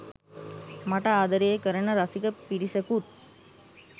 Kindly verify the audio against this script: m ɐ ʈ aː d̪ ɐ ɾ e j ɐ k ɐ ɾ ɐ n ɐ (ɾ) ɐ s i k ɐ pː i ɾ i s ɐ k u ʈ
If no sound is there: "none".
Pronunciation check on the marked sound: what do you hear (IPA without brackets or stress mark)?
ɾ